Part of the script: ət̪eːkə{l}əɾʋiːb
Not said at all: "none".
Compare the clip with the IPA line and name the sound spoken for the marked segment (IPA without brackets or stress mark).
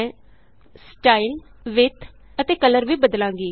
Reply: l